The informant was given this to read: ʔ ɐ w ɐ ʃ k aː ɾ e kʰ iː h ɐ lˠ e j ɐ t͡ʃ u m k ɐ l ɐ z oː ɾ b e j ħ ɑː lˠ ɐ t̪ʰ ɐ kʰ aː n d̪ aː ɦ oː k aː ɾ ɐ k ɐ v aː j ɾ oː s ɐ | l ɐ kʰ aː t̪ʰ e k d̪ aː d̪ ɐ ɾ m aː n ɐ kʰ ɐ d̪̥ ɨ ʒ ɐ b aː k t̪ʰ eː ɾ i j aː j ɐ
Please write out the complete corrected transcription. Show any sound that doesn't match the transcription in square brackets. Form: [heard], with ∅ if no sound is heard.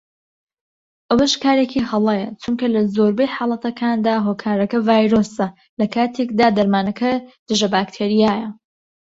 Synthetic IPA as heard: ʔ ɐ w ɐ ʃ k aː ɾ e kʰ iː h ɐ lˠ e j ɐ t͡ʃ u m k ɐ l ɐ z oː ɾ b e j ħ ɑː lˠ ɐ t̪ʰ ɐ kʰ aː n d̪ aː ɦ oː [kʰ] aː ɾ ɐ k ɐ v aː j ɾ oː s ɐ | l ɐ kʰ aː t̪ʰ e k d̪ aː d̪ ɐ ɾ m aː n ɐ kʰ ɐ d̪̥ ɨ ʒ ɐ b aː k t̪ʰ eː ɾ i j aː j ɐ